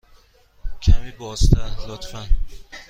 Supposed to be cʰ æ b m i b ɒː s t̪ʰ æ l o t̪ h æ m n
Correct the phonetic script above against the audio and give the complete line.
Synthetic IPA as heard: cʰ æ m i b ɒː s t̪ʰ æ l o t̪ f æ n